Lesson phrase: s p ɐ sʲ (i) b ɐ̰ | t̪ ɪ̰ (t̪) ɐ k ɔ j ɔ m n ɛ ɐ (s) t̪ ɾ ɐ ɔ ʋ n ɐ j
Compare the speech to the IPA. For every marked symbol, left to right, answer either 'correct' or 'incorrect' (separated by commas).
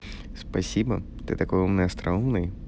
correct, correct, correct